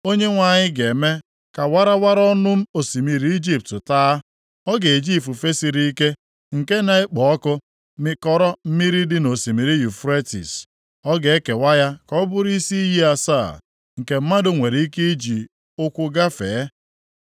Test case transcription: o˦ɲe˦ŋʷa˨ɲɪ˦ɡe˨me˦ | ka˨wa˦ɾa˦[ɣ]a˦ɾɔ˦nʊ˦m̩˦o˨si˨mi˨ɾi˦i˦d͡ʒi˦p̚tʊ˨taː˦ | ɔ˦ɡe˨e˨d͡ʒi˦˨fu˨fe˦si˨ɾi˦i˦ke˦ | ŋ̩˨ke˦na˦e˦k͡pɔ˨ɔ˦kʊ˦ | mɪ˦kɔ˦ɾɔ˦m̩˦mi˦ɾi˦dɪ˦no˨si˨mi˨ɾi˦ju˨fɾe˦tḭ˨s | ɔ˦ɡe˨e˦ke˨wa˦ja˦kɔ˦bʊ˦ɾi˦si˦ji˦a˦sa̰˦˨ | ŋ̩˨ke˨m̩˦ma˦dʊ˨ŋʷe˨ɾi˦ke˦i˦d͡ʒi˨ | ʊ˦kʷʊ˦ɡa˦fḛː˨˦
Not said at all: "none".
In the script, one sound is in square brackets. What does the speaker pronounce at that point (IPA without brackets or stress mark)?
w